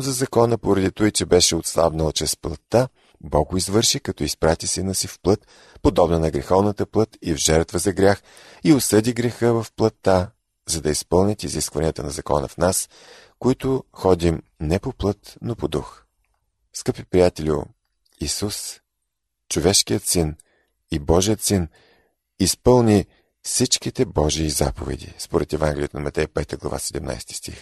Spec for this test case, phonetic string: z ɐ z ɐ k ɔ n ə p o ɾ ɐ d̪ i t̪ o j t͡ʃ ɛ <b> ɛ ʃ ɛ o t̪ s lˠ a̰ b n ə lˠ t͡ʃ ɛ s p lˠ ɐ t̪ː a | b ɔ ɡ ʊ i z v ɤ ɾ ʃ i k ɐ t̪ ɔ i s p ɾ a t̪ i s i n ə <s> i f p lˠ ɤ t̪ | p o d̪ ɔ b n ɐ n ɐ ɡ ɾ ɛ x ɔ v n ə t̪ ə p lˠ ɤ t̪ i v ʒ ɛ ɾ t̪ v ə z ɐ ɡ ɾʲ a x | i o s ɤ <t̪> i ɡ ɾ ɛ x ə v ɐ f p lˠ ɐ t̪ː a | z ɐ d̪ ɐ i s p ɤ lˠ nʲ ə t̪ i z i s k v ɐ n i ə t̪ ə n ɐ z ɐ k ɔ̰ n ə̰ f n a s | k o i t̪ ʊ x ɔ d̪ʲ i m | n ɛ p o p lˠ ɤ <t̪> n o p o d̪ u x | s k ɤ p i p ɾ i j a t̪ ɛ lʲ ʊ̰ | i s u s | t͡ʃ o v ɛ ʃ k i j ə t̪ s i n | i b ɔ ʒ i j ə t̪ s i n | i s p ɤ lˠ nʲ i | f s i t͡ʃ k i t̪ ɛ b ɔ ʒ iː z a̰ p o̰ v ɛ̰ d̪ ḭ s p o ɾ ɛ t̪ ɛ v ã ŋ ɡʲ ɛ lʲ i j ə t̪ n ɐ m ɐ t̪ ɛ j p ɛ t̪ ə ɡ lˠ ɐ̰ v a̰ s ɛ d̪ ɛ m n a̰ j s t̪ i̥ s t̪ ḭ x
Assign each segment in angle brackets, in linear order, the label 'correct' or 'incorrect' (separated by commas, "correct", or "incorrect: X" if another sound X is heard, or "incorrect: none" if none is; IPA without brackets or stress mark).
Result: correct, correct, incorrect: d̪, correct